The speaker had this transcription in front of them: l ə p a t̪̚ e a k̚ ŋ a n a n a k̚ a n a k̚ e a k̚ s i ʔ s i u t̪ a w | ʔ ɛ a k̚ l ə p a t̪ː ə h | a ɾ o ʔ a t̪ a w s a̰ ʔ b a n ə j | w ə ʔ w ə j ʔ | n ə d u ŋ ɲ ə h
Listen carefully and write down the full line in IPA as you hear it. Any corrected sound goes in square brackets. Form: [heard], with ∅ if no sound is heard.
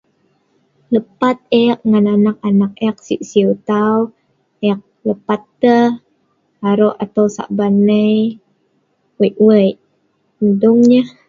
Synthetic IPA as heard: l ə p a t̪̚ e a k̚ ŋ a n a n a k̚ a n a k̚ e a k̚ s i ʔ s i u t̪ a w | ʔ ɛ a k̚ l ə p a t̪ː ə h | a ɾ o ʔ a t̪ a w s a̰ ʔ b a n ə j | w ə ʔ w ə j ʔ | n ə d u ŋ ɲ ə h

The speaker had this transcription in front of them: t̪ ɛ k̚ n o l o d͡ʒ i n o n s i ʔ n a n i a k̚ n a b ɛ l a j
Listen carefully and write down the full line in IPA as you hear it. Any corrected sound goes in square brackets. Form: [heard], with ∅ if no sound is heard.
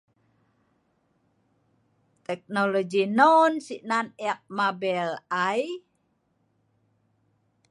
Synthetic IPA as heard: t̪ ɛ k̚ n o l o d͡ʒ i n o n s i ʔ n a n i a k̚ [m] a b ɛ l a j

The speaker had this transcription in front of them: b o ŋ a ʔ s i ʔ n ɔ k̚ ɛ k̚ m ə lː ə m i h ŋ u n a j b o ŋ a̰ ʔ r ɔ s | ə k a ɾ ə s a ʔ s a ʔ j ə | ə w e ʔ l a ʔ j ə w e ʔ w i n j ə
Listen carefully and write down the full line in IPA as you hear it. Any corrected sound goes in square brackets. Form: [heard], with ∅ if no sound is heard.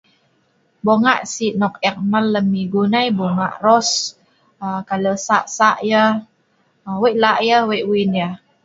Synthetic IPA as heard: b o ŋ a ʔ s i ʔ n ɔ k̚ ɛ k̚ m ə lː ə m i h [ɡ] u n a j b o ŋ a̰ ʔ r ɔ s | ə k a [l] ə s a ʔ s a ʔ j ə | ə w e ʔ l a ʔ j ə w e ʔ w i n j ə

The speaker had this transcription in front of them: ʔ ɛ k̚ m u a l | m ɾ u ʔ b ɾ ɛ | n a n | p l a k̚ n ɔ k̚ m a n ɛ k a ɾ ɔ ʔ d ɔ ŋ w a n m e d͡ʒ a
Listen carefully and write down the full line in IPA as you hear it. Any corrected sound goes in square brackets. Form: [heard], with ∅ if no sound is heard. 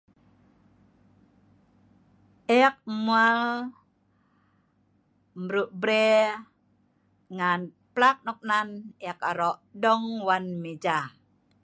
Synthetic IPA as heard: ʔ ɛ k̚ m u a l | m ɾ u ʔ b ɾ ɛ | [ŋ] a n | p l a k̚ n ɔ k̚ [n] a n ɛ k a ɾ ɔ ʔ d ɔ ŋ w a n m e d͡ʒ a

